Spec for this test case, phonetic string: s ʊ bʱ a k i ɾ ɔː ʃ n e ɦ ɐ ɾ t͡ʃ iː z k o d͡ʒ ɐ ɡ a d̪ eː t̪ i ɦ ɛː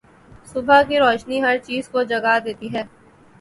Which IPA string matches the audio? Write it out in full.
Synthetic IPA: s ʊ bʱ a k i ɾ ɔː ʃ n i ɦ ɐ ɾ t͡ʃ iː z k o d͡ʒ ɐ ɡ a d̪ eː t̪ i ɦ ɛː